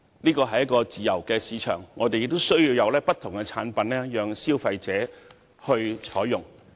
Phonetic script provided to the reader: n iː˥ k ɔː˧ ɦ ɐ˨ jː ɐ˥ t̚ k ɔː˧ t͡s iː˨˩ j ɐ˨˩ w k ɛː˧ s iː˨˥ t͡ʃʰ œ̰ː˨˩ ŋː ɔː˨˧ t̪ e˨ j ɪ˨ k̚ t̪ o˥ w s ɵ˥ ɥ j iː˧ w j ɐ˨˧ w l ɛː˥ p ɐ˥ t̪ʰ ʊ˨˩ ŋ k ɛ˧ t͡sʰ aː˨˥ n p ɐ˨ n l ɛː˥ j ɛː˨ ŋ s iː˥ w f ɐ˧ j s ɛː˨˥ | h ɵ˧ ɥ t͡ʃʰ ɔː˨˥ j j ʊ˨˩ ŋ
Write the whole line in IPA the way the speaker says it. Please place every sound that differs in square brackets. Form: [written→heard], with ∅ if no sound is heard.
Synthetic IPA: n iː˥ k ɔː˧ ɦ ɐ˨ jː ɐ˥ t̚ k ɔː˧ t͡s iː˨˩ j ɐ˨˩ w k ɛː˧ s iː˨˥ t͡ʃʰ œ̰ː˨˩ ŋː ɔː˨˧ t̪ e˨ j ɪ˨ k̚ t̪ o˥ w s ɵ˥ ɥ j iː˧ w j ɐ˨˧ w l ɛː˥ p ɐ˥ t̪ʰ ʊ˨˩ ŋ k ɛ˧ t͡sʰ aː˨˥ n p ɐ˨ n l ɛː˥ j [ɛː˨→œː˨] ŋ s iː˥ w f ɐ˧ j [s→t͡s] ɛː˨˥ | h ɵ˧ ɥ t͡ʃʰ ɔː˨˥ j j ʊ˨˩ ŋ

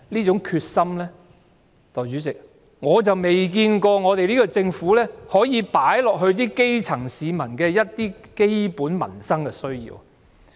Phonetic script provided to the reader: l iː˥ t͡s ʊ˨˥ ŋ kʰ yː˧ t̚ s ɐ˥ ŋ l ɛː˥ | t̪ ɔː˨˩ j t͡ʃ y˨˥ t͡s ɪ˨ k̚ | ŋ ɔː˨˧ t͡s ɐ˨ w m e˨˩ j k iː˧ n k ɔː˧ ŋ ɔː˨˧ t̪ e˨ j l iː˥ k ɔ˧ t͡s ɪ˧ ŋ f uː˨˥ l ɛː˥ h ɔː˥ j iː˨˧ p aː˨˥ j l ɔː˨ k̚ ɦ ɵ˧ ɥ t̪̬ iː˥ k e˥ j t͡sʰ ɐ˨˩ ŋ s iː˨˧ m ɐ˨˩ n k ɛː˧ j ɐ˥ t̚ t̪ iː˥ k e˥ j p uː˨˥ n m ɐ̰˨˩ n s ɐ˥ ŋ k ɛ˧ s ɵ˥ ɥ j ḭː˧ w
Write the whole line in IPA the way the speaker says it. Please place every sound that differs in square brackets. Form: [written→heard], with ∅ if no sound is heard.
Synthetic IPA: l iː˥ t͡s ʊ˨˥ ŋ kʰ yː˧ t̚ s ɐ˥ [ŋ→m] l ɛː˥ | t̪ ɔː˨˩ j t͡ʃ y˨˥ t͡s ɪ˨ k̚ | ŋ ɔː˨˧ t͡s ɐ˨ w m e˨˩ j k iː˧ n k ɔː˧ ŋ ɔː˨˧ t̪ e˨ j l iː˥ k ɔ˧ t͡s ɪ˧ ŋ f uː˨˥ l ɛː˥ h [ɔː˥→ɔː˨˥] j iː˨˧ p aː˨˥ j l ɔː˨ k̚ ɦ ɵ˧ ɥ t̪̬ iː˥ k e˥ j t͡sʰ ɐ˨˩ ŋ s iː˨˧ m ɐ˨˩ n k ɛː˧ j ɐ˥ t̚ t̪ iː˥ k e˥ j p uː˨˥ n m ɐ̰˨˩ n s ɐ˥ ŋ k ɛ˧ s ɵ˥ ɥ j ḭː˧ w

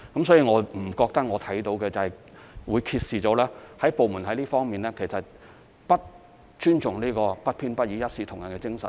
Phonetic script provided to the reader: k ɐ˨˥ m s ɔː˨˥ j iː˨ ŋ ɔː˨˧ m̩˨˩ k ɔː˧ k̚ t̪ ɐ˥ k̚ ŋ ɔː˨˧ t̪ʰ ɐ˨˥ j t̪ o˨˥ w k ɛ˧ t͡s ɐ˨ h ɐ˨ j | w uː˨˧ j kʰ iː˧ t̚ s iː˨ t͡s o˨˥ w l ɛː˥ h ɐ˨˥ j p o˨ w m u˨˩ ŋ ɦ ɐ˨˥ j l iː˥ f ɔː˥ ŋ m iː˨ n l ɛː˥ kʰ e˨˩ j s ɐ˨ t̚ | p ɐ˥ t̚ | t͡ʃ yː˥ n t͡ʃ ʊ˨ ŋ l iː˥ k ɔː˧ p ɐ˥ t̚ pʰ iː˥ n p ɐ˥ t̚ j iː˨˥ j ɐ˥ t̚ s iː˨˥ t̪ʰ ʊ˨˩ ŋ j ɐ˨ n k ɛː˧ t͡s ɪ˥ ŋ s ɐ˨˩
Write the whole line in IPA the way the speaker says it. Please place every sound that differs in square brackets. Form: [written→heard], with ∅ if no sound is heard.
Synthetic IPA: k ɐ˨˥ m s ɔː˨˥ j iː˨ ŋ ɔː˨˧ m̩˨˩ k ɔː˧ k̚ t̪ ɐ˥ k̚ ŋ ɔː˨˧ t̪ʰ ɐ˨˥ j t̪ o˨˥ w k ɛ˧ t͡s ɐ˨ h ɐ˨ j | w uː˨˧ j kʰ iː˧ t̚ s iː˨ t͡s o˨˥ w l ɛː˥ h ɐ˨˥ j p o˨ w m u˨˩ [ŋ→n] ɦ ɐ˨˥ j l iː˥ f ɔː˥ ŋ m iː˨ n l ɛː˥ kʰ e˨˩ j s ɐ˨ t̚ | p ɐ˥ t̚ | t͡ʃ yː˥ n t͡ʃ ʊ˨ ŋ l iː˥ k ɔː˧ p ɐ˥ t̚ pʰ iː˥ n p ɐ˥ t̚ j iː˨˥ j ɐ˥ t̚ s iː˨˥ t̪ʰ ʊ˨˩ ŋ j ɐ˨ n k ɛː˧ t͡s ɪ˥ ŋ s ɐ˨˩

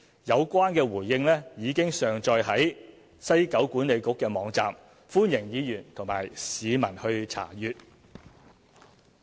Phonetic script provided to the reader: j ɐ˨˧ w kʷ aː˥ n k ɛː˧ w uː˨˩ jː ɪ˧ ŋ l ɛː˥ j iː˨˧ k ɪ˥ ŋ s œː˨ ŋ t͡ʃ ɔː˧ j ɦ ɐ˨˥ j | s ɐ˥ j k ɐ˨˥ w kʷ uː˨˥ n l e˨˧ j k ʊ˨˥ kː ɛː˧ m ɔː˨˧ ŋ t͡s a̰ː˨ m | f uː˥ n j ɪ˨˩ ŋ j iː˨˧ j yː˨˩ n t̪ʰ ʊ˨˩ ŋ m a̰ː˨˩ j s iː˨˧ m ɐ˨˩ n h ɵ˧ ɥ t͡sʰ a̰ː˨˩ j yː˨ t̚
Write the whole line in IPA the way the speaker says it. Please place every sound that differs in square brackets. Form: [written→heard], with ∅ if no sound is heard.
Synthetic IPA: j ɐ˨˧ w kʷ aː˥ n k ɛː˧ w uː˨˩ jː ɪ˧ ŋ l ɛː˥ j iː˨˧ k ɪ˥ ŋ s œː˨ ŋ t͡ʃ ɔː˧ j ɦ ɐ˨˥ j | s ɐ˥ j k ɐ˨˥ w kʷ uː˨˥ n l e˨˧ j k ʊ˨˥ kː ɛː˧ m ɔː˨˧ ŋ t͡s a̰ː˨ m | f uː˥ n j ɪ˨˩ ŋ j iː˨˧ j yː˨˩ n t̪ʰ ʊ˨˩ ŋ m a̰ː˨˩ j s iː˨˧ m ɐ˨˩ n h ɵ˧ ɥ t͡sʰ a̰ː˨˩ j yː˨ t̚

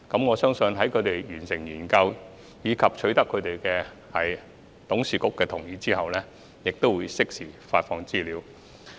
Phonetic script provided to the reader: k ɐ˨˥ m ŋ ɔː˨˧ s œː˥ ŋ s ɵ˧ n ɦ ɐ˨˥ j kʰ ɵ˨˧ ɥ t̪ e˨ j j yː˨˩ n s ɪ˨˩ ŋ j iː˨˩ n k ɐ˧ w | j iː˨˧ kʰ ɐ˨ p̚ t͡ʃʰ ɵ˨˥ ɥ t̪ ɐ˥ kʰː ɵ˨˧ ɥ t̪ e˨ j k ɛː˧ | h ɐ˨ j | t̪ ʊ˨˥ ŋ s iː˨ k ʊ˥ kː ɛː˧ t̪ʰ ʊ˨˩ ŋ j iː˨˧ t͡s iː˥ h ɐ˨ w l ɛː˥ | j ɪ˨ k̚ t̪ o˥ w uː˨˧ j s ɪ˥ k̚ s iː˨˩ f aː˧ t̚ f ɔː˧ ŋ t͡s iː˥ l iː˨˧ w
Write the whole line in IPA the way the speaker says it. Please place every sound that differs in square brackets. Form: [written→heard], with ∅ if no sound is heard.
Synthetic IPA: k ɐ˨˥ m ŋ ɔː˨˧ s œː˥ ŋ s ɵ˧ n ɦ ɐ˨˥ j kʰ ɵ˨˧ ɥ t̪ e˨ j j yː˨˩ n s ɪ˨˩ ŋ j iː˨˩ n k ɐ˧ w | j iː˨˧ kʰ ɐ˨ p̚ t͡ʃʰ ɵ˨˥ ɥ t̪ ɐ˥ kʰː ɵ˨˧ ɥ t̪ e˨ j k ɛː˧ | h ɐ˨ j | t̪ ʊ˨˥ ŋ s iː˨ k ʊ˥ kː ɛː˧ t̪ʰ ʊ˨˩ ŋ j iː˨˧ t͡s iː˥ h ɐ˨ w l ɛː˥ | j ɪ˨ k̚ t̪ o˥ w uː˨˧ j s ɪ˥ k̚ s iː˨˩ f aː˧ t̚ f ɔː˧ ŋ t͡s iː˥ l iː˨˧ w

